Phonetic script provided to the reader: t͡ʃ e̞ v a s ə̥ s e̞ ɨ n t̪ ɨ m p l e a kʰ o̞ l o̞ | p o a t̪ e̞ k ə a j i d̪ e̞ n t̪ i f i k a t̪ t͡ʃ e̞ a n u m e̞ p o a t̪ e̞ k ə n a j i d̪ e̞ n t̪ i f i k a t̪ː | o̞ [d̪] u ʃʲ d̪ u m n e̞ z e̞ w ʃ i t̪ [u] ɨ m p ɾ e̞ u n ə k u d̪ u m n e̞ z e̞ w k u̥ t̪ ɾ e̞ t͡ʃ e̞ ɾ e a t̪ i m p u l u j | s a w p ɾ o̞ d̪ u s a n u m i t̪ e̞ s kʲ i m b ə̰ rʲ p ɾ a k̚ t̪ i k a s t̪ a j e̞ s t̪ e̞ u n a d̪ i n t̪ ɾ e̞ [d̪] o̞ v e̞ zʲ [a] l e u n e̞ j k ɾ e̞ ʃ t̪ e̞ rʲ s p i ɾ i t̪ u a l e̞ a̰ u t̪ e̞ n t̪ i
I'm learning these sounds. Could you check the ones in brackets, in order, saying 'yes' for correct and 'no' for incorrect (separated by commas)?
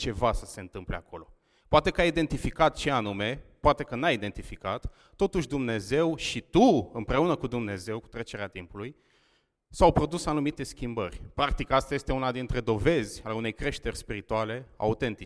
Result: no, yes, yes, yes